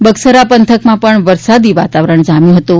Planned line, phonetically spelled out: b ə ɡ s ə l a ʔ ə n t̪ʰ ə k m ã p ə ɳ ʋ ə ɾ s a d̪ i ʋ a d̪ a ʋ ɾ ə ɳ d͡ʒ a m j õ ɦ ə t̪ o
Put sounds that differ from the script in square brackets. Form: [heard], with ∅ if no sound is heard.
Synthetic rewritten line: b ə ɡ s ə [ɾ] a [p] ə n t̪ʰ ə k m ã p ə ɳ ʋ ə ɾ s a d̪ i ʋ a [t̪] a ʋ ɾ ə ɳ d͡ʒ a m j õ ɦ ə t̪ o